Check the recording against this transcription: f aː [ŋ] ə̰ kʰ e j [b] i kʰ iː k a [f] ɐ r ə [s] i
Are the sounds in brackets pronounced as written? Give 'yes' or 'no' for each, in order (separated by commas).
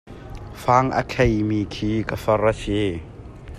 yes, no, yes, yes